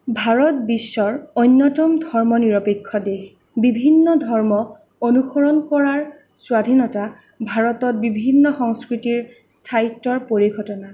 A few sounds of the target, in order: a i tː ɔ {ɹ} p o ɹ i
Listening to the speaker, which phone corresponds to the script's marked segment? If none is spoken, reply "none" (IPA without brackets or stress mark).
ɹ